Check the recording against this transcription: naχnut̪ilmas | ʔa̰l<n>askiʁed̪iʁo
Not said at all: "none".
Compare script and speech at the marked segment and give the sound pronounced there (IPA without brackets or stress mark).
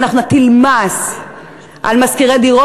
m